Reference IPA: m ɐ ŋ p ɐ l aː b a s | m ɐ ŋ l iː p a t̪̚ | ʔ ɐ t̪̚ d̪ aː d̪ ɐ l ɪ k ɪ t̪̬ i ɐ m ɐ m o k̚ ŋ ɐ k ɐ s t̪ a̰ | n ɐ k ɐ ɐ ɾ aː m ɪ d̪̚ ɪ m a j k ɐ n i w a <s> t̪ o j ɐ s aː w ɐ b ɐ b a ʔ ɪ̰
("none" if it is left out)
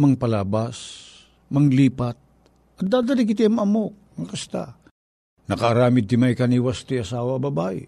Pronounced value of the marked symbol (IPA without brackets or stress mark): s